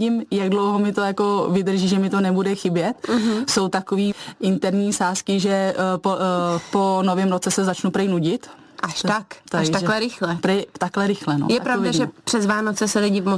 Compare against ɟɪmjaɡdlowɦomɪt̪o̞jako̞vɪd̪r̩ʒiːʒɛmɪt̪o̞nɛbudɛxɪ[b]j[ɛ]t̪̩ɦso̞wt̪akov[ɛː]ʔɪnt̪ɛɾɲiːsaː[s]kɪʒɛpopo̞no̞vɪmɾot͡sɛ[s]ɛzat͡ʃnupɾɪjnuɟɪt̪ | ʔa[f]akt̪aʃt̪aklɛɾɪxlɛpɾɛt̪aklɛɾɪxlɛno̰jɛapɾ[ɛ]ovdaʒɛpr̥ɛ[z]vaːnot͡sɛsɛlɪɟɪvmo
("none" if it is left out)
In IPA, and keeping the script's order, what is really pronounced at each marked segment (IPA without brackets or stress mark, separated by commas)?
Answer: b, ɛ, iː, s, s, ʃ, a, z